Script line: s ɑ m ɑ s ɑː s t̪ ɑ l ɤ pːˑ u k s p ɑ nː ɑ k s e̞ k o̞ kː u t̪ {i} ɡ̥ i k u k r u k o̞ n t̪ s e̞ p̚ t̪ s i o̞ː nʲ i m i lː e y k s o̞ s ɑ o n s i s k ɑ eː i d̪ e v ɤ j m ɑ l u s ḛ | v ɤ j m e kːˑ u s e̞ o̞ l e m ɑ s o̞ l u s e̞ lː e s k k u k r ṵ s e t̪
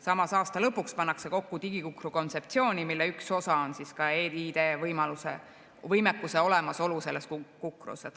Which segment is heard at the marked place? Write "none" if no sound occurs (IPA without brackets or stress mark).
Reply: i